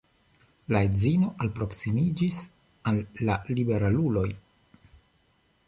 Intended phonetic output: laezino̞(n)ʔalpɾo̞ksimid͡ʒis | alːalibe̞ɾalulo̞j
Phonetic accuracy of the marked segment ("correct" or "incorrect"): incorrect